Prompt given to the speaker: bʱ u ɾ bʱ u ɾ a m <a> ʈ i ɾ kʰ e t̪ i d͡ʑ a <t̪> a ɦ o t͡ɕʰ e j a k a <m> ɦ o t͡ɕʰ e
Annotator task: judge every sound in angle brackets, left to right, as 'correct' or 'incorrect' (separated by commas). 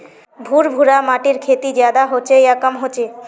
correct, incorrect, correct